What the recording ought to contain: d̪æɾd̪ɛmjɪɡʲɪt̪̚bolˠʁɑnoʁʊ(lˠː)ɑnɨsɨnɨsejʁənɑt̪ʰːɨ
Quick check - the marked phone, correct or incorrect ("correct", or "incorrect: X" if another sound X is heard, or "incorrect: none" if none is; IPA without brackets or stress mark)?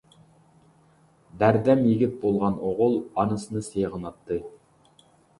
incorrect: lˠ